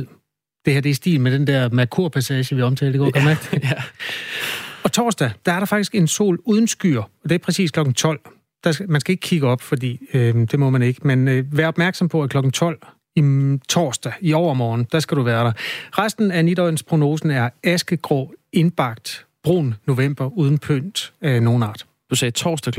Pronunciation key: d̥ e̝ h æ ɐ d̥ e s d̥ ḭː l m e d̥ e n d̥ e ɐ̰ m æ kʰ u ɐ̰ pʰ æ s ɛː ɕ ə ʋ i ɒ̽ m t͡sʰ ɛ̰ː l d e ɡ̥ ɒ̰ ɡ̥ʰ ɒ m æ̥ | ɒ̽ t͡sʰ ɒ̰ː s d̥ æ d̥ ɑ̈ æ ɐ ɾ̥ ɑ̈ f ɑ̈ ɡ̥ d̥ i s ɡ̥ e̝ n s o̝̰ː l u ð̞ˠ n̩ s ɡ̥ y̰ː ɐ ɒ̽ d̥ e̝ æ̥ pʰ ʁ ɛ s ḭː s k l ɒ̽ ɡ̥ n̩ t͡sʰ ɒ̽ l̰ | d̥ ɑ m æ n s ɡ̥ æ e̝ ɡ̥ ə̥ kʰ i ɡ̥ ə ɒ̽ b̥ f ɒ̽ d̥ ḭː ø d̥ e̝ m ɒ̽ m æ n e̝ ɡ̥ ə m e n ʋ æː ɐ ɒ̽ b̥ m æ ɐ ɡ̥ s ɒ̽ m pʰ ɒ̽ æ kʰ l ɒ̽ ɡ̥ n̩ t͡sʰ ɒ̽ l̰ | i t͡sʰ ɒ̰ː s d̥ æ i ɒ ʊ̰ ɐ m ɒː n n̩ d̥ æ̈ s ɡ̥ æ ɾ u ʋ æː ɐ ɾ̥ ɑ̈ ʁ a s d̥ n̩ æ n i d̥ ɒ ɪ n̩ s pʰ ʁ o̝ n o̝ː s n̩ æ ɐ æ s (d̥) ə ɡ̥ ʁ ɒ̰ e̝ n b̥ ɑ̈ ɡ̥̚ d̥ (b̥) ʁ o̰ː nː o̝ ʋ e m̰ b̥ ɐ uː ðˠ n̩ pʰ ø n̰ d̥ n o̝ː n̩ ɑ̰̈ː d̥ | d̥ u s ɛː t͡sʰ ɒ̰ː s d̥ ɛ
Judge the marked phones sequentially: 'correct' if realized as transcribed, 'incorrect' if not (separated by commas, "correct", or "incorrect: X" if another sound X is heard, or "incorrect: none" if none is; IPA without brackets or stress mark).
incorrect: ɡ̥, correct